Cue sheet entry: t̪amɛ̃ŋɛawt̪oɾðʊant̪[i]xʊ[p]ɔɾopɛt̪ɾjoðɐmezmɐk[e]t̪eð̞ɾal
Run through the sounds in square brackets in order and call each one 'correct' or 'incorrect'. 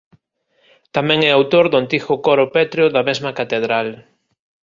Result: correct, incorrect, incorrect

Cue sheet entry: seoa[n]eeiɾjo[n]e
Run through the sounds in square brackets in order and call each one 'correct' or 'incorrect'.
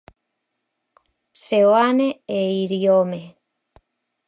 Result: correct, incorrect

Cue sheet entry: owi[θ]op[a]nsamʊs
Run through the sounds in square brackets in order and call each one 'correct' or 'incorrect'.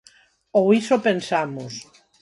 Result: incorrect, incorrect

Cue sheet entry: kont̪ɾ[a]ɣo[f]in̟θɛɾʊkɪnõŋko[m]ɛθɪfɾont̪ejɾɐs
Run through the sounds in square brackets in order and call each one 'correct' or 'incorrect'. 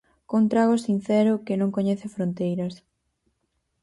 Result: correct, incorrect, incorrect

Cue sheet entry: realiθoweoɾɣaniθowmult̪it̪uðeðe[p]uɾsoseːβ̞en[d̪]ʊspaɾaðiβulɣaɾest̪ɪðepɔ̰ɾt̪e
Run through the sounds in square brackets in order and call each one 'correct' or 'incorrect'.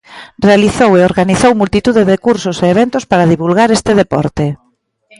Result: incorrect, incorrect

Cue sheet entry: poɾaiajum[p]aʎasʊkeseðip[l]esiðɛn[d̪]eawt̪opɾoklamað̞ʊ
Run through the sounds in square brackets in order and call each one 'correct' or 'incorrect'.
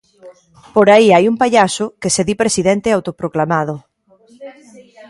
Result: correct, incorrect, incorrect

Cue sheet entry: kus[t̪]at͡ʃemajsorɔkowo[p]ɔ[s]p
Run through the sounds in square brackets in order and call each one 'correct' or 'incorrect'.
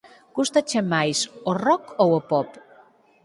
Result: correct, correct, incorrect

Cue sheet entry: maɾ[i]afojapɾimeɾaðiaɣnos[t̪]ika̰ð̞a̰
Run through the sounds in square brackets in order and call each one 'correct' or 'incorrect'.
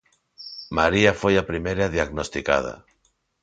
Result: correct, correct

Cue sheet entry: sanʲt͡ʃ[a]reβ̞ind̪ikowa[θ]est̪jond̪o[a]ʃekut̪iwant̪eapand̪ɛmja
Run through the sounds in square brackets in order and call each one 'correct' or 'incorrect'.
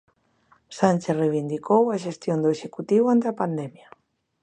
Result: incorrect, incorrect, incorrect

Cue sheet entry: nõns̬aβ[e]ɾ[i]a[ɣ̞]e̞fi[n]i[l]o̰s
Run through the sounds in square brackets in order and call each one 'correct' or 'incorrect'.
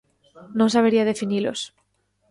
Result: correct, correct, incorrect, correct, correct

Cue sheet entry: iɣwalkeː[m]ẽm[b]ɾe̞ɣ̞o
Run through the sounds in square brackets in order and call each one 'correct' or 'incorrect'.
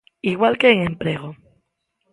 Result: incorrect, incorrect

